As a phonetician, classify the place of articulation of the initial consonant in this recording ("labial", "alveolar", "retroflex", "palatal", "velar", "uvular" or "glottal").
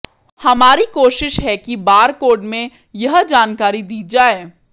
glottal